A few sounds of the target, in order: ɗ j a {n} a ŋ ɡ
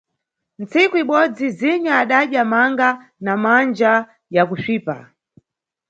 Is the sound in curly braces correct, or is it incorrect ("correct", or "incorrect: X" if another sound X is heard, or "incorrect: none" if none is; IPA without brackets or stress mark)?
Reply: incorrect: m